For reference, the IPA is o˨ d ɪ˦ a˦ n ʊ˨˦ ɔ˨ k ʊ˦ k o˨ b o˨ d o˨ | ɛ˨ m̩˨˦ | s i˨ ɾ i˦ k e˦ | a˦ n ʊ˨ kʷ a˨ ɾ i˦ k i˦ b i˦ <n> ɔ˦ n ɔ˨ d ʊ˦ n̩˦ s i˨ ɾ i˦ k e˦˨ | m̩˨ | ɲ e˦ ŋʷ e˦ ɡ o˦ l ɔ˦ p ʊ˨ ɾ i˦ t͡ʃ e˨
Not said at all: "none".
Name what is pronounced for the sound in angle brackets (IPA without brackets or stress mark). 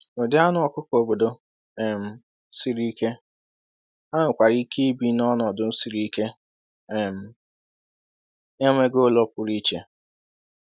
n